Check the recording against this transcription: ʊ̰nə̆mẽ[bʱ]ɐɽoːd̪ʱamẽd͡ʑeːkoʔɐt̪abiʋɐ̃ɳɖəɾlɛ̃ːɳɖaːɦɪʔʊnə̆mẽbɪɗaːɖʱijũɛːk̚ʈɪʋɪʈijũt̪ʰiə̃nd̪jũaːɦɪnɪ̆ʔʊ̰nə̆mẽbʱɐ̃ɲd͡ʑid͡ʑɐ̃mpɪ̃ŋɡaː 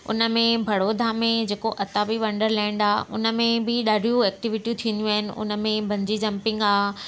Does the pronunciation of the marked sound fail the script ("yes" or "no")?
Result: no